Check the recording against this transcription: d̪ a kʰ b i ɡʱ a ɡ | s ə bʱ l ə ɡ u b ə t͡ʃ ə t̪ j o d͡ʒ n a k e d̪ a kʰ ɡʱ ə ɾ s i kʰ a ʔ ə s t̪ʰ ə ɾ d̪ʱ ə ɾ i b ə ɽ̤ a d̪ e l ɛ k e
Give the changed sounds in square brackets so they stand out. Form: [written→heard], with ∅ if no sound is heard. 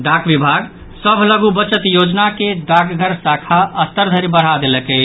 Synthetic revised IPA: d̪ a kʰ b i [ɡʱ→bʱ] a ɡ | s ə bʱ l ə ɡ u b ə t͡ʃ ə t̪ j o d͡ʒ n a k e d̪ a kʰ ɡʱ ə ɾ s [i→a] kʰ a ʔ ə s [t̪ʰ→t̪] ə ɾ d̪ʱ ə ɾ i b ə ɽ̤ a d̪ e l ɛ k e